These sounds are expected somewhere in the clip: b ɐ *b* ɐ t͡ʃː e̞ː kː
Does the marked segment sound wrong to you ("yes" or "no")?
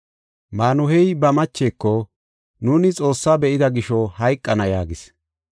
yes